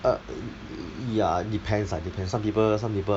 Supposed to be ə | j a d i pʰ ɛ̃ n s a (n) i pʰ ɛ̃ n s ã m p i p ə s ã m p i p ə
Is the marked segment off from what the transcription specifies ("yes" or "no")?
yes